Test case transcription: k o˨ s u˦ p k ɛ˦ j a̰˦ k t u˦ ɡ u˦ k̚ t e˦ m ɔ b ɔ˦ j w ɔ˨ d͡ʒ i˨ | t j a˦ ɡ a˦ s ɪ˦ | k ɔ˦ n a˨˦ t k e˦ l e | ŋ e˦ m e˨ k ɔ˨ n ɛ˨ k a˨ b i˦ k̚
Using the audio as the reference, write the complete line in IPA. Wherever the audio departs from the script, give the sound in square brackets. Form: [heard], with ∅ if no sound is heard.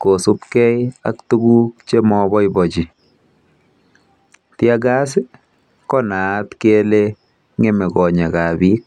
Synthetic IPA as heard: k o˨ s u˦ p k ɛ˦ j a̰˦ k t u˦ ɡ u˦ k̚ [t͡ʃ] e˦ m ɔ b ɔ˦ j [b] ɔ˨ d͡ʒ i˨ | t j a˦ ɡ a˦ s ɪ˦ | k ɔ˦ n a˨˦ t k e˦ l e | ŋ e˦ m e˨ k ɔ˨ [ɲ] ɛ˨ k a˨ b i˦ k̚